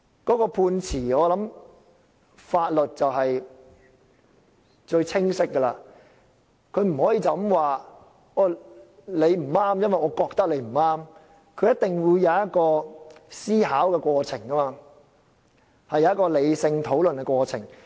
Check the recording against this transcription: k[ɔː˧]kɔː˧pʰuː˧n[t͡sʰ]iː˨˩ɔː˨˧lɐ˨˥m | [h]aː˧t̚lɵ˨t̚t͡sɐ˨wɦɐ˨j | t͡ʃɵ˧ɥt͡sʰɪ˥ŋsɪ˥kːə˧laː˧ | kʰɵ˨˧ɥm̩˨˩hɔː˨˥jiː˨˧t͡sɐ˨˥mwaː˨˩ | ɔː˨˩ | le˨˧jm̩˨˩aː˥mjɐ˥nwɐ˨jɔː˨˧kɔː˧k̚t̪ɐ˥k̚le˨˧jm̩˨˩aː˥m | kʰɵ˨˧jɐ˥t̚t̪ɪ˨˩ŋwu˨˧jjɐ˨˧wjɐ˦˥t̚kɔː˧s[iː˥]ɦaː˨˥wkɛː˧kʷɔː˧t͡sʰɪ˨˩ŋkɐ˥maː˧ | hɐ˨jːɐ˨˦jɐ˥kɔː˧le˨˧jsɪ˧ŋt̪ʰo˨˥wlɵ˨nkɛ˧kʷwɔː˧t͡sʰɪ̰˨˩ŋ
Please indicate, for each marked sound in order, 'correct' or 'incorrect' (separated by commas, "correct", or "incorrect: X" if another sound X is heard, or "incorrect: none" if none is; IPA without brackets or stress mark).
incorrect: ɔː˨˥, correct, incorrect: f, correct